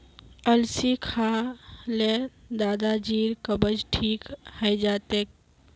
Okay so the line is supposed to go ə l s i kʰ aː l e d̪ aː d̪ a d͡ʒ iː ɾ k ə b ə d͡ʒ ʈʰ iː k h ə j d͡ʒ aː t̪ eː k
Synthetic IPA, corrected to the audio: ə l s i kʰ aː l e d̪ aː d̪ a d͡ʒ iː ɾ k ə b ə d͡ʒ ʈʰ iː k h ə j d͡ʒ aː t̪ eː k

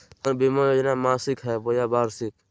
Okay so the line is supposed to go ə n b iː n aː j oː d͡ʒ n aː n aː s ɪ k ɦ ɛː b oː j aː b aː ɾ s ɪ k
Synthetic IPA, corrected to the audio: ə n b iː m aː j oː d͡ʒ n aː m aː s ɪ k ɦ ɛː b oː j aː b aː ɾ s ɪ k

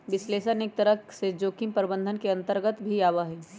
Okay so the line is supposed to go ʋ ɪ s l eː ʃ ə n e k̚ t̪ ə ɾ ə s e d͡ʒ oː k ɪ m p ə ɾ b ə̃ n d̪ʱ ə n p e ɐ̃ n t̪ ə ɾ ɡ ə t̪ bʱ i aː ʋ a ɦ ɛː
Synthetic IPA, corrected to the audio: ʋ ɪ s l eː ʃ ə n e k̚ t̪ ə ɾ ə s e d͡ʒ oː k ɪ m p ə ɾ b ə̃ n d̪ʱ ə n k e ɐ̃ n t̪ ə ɾ ɡ ə t̪ bʱ i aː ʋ a ɦ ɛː

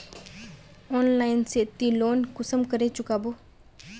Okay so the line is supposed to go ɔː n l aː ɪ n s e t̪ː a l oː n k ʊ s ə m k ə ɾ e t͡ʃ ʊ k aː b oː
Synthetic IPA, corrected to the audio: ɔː n l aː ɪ n s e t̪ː i l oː n k ʊ s ə m k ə ɾ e t͡ʃ ʊ k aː b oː

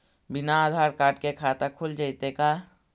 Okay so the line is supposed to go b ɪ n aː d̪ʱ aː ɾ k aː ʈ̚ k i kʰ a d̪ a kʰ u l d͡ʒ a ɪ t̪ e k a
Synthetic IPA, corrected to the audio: b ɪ n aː d̪ʱ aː ɾ k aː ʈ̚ k e kʰ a t̪ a kʰ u l d͡ʒ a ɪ t̪ e k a

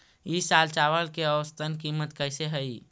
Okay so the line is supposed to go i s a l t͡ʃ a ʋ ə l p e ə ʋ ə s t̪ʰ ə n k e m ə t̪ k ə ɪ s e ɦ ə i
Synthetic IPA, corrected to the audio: i s a l t͡ʃ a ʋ ə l k e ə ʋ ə s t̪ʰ ə n k i m ə t̪ k ə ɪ s e ɦ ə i

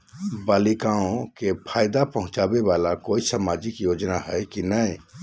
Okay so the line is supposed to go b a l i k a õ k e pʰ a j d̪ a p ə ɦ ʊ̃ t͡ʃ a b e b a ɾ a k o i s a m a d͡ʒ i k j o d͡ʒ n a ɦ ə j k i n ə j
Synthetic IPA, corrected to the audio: b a l i k a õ k e pʰ a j d̪ a p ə ɦ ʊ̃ t͡ʃ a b e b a l a k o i s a m a d͡ʒ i k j o d͡ʒ n a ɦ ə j k i n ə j

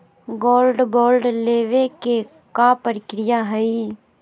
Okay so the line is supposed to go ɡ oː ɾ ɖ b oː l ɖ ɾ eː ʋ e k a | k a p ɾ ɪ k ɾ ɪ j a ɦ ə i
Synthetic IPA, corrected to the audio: ɡ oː l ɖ b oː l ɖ l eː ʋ e k e | k a p ɾ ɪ k ɾ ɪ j a ɦ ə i

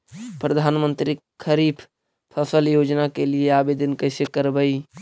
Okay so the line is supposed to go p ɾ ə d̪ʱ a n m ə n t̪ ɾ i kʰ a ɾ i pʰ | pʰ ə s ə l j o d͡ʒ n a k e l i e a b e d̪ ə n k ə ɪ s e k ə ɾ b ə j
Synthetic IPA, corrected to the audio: p ɾ ə d̪ʱ a n m ə n t̪ ɾ i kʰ ə ɾ i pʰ | pʰ ə s ə l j o d͡ʒ n a k e l i e a b e d̪ ə n k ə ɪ s e k ə ɾ b ə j

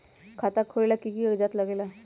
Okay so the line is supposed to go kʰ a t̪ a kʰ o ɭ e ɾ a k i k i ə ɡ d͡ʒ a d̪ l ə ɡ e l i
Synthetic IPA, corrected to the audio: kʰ a t̪ a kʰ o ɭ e l a k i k i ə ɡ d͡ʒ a t̪ l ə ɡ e l a

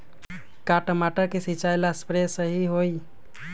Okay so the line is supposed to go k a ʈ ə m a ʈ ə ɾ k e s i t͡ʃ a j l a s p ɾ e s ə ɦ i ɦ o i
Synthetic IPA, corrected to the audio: k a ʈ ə m a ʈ ə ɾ k e s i t͡ʃ a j l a s p ɾ e s ə ɦ i ɦ o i

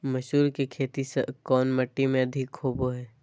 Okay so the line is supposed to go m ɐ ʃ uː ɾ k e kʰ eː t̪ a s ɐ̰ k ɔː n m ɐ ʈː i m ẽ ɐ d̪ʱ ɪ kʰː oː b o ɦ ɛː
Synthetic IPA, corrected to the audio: m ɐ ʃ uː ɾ k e kʰ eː t̪ i s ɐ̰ k ɔː n m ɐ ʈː i m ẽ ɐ d̪ʱ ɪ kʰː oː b o ɦ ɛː

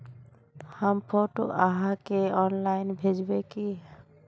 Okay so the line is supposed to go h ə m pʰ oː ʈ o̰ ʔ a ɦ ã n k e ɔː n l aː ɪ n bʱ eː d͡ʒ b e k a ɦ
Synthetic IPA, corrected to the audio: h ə m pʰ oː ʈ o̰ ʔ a ɦ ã k e ɔː n l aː ɪ n bʱ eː d͡ʒ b e k i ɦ

